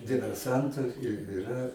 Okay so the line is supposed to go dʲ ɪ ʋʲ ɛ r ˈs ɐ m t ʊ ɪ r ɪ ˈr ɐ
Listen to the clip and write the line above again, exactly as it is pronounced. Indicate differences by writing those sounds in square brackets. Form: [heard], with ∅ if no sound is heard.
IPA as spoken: dʲ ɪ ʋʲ ɛ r ˈs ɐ [n] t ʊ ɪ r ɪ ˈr ɐ